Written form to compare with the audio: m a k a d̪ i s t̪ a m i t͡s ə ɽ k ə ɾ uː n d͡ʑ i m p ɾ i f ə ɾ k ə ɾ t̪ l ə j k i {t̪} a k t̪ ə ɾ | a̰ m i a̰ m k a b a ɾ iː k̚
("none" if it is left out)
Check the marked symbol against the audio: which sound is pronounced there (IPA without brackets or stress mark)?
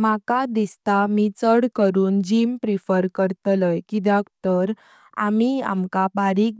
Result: d̪